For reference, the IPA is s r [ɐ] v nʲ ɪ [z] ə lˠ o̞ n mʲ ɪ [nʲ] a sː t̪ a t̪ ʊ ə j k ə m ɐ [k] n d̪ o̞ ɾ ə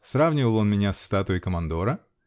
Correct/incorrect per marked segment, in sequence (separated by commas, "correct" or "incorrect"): incorrect, incorrect, correct, incorrect